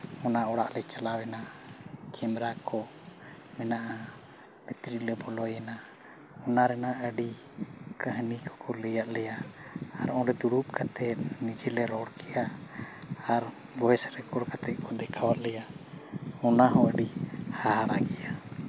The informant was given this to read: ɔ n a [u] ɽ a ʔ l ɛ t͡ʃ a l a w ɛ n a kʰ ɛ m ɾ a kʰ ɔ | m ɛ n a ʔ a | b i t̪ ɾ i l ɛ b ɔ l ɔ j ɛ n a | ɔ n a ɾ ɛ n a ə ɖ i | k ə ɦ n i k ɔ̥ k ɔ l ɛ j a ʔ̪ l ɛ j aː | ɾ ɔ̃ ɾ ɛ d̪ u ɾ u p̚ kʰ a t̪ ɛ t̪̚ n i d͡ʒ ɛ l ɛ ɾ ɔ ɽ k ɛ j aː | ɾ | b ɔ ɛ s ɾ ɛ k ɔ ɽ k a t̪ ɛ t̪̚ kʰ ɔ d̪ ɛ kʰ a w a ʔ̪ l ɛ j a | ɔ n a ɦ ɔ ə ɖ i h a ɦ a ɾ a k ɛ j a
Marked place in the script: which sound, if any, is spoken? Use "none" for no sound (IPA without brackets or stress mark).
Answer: ɔ